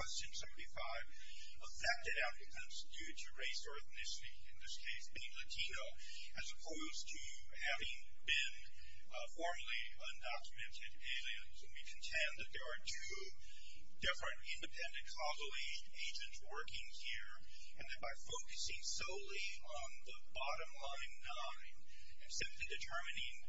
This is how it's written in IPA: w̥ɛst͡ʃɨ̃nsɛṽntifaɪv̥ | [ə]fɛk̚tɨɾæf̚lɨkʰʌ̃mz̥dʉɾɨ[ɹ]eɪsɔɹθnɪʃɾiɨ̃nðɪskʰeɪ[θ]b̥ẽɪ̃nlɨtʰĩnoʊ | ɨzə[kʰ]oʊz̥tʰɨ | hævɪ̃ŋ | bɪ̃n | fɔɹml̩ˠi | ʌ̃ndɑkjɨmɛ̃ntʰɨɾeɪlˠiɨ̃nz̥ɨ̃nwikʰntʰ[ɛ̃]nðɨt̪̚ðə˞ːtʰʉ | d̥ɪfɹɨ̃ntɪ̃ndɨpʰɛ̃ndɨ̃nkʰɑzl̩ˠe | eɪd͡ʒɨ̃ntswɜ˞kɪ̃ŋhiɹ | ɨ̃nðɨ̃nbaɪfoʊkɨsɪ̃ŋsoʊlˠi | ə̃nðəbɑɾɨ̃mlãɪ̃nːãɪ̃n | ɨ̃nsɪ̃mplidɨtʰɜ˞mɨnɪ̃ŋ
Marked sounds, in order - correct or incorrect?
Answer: correct, correct, incorrect: s, incorrect: pʰ, correct

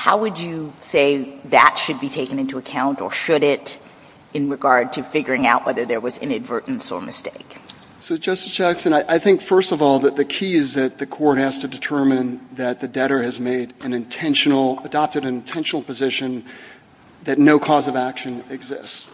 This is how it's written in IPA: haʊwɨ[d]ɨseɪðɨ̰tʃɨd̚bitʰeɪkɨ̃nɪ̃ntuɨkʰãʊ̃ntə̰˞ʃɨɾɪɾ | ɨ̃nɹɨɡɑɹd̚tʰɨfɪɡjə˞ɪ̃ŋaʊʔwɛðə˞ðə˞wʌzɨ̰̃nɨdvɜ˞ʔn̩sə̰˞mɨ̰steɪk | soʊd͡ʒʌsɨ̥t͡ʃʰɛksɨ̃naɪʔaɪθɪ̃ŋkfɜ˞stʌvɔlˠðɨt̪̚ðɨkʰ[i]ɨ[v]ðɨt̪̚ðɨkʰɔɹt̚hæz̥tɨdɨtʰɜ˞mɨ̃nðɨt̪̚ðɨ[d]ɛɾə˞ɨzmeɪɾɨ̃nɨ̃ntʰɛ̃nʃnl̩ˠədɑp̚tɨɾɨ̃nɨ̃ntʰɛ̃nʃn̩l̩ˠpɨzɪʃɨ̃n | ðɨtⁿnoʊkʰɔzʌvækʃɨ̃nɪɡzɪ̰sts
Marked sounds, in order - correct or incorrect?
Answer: incorrect: d͡ʒ, correct, incorrect: z, correct

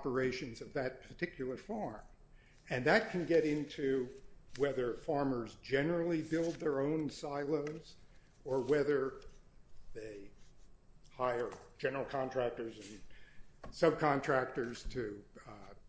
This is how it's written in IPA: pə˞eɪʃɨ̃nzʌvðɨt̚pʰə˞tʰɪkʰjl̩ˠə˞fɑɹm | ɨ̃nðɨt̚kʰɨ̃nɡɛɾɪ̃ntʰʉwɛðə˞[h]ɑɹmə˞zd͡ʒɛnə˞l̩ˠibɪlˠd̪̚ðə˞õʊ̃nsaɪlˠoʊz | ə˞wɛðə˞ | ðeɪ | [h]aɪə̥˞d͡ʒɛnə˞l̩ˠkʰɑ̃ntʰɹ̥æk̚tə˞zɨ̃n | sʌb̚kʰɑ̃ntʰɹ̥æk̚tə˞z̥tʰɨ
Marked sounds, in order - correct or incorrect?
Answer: incorrect: f, correct

